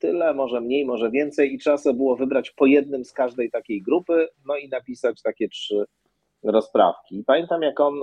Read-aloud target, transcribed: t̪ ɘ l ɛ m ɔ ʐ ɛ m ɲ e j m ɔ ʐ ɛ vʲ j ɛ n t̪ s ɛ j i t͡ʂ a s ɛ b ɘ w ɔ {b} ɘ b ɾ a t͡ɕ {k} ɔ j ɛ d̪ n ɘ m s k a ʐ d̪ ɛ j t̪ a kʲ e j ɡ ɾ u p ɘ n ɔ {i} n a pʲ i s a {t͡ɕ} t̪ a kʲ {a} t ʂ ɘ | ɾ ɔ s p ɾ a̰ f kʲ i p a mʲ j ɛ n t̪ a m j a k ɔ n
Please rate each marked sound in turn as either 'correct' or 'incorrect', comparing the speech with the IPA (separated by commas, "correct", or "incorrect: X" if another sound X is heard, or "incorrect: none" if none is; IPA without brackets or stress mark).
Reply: incorrect: v, incorrect: p, correct, correct, incorrect: ɛ